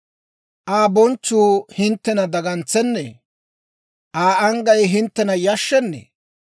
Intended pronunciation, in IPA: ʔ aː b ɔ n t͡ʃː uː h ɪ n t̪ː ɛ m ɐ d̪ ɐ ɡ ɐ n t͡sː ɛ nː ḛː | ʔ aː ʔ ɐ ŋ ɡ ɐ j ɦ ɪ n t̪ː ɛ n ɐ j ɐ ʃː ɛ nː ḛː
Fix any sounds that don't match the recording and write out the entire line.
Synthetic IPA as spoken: ʔ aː b ɔ n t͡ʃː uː h ɪ n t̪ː ɛ n ɐ d̪ ɐ ɡ ɐ n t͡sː ɛ nː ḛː | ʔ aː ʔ ɐ ŋ ɡ ɐ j ɦ ɪ n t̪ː ɛ n ɐ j ɐ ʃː ɛ nː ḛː